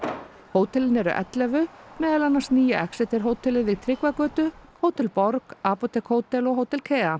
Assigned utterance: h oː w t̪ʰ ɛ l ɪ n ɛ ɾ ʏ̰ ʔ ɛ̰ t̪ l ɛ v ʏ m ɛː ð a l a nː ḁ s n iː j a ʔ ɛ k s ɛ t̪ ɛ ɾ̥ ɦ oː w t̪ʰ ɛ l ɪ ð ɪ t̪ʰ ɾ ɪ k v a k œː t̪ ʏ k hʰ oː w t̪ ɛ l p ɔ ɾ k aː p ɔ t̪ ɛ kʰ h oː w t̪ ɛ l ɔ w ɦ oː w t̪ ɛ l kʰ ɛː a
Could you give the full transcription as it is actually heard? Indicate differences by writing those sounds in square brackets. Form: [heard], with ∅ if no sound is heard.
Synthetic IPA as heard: h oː w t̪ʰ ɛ l ɪ n ɛ ɾ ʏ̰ ʔ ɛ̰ t̪ l ɛ v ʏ m ɛː ð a l a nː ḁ s n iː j a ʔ ɛ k s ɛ t̪ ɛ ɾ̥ ɦ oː w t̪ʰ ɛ l ɪ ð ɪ t̪ʰ ɾ ɪ k v a k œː t̪ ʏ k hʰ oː w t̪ ɛ l p ɔ ɾ k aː p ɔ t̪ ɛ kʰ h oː w t̪ ɛ l ɔ [ɣ] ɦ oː w t̪ ɛ l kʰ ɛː a